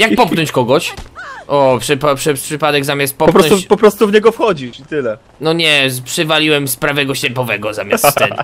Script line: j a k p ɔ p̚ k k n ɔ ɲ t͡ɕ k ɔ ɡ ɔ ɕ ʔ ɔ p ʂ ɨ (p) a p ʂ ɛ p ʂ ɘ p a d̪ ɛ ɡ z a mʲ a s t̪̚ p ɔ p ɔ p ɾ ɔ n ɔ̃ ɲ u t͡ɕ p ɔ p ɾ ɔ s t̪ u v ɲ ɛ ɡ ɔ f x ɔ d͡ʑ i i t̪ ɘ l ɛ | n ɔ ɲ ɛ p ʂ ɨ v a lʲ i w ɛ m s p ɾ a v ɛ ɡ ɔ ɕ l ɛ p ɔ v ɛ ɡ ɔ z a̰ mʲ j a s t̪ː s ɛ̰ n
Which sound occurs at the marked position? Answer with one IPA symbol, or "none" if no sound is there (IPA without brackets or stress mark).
p